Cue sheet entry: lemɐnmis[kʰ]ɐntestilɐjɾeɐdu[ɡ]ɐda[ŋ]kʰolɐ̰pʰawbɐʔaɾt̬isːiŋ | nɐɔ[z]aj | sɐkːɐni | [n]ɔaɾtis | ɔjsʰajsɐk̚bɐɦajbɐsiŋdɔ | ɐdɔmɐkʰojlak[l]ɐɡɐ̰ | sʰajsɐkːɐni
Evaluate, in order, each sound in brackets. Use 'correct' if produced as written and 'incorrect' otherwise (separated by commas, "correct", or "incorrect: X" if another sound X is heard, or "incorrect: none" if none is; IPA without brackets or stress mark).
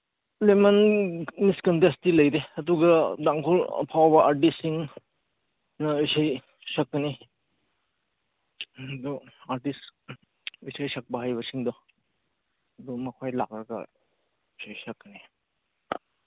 incorrect: k, correct, correct, incorrect: s, incorrect: d, incorrect: ɾ